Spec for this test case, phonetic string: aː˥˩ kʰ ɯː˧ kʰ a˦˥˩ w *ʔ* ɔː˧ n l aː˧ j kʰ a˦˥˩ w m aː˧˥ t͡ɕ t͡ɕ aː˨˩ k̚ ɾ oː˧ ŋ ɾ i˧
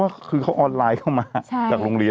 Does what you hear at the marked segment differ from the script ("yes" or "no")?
no